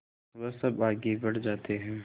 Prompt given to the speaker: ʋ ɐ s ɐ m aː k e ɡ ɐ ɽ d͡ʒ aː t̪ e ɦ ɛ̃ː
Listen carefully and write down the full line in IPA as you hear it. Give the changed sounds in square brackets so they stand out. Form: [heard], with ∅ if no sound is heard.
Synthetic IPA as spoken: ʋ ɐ s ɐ [b] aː [ɡ] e [b] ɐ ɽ d͡ʒ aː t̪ e ɦ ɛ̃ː